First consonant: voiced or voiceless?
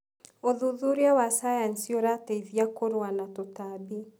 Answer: voiced